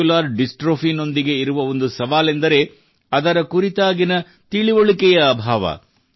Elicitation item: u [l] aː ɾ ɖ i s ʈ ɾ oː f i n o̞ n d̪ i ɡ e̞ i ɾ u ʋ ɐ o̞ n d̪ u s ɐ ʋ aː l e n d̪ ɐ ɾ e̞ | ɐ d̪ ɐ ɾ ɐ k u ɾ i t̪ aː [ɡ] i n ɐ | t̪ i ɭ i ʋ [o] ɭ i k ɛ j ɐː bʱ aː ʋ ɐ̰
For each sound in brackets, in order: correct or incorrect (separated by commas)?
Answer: correct, correct, correct